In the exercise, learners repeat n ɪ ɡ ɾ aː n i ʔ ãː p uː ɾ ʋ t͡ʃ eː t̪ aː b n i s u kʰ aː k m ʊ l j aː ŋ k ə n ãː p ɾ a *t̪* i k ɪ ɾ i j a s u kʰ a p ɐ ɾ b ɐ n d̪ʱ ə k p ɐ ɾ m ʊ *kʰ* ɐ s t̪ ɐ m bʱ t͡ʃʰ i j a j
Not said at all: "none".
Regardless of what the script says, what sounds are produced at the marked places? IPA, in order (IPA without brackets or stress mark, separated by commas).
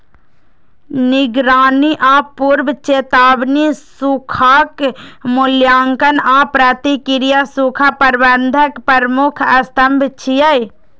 t̪, kʰ